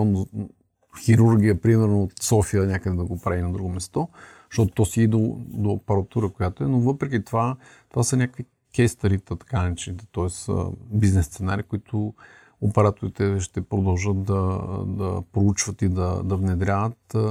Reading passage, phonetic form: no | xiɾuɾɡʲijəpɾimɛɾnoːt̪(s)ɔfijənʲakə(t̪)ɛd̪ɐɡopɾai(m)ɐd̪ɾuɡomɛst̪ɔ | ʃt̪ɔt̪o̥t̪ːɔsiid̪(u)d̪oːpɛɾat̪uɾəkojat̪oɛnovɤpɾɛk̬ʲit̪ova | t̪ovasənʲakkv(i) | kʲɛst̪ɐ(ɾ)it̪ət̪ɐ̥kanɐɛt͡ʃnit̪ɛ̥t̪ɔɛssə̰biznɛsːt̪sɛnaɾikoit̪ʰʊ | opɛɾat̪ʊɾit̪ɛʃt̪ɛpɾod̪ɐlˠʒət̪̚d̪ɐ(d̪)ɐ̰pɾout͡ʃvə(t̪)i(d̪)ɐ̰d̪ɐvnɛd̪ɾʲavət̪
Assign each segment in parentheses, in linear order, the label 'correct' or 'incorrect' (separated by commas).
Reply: correct, incorrect, incorrect, incorrect, correct, correct, correct, correct, correct